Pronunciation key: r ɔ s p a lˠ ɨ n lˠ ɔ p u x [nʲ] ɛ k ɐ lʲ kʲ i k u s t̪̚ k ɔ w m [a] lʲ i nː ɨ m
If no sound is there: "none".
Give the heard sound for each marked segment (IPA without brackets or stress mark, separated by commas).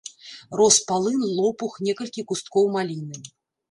nʲ, a